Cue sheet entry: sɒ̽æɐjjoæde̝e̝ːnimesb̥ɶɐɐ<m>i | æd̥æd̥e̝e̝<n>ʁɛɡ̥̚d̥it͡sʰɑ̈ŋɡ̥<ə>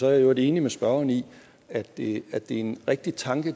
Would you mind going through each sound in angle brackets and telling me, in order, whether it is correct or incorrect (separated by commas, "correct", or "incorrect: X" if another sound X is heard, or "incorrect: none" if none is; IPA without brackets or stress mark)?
incorrect: n, correct, correct